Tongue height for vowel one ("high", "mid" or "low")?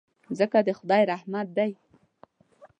mid